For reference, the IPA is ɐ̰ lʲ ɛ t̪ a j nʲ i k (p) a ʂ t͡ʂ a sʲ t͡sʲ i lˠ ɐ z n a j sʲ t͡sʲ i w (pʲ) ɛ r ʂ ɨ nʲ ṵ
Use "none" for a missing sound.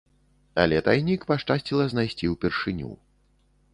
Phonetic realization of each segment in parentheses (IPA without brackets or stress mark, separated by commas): p, pʲ